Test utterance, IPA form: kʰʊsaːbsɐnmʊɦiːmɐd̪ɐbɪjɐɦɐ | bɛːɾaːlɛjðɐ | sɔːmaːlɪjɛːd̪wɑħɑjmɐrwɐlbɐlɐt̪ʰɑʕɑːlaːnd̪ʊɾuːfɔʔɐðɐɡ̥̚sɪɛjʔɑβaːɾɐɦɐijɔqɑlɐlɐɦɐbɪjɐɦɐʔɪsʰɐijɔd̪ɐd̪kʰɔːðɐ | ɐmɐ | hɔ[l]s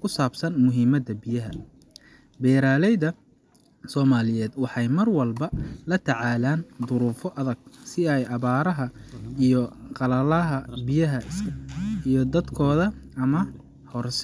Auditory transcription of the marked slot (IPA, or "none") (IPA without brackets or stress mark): r